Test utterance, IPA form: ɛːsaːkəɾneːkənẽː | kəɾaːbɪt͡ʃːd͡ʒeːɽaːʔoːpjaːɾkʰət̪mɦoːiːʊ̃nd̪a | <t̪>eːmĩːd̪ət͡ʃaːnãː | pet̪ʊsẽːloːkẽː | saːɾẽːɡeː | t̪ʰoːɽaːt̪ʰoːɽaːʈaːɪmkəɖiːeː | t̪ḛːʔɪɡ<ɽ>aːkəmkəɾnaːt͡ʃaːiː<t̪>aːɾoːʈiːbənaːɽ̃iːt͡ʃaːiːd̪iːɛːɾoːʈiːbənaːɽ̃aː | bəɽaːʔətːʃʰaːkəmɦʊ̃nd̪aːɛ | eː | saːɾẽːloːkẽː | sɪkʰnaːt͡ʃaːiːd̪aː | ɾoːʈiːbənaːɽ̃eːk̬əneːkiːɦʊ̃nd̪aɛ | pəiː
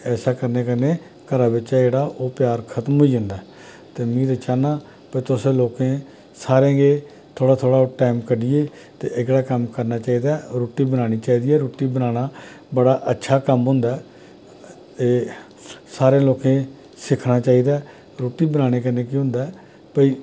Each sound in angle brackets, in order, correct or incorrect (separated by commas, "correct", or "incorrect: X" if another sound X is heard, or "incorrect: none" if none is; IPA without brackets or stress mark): correct, correct, incorrect: d̪